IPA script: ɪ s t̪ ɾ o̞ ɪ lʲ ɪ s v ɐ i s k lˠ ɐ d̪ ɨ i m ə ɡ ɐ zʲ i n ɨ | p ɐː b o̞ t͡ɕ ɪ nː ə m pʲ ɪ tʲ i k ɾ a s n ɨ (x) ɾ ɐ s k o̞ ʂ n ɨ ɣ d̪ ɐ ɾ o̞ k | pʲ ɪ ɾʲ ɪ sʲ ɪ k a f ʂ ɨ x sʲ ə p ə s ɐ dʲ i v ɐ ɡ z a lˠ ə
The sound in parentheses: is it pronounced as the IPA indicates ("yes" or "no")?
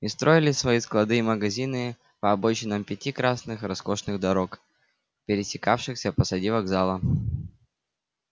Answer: yes